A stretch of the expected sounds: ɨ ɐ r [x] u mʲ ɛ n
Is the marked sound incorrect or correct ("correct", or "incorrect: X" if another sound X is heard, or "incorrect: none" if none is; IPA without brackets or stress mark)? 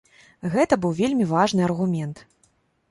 incorrect: ɣ